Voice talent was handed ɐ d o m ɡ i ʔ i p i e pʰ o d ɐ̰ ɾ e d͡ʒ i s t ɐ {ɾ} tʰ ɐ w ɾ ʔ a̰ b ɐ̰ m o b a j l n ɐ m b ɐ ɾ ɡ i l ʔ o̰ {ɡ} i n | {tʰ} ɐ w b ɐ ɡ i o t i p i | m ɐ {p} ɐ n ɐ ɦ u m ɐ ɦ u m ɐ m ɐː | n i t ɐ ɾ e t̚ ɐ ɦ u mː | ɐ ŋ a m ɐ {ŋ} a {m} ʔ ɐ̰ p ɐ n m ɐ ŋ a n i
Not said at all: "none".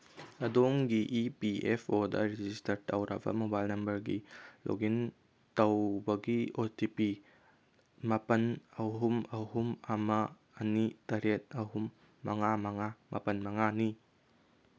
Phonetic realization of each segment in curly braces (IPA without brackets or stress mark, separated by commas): ɾ, ɡ, t, p, ŋ, m